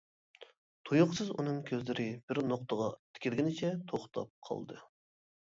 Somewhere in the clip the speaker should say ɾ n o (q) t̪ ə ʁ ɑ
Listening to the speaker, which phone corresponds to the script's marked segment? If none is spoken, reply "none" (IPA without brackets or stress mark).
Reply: q